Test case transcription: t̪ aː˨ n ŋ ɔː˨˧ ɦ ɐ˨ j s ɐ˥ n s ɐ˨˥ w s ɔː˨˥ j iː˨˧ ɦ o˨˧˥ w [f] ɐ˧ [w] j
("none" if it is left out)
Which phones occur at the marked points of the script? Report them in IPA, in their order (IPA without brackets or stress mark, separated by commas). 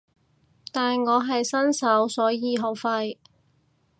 f, none